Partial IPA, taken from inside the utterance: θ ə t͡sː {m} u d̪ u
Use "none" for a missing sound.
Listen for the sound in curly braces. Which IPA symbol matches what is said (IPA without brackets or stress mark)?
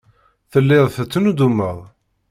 n